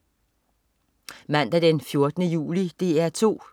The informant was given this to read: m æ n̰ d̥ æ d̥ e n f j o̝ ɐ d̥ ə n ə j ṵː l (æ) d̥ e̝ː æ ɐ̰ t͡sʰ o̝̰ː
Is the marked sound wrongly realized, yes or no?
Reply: yes